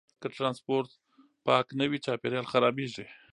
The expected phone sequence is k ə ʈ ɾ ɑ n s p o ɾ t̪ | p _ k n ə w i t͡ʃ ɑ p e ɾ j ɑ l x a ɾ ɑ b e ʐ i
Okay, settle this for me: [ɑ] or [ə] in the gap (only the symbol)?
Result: ɑ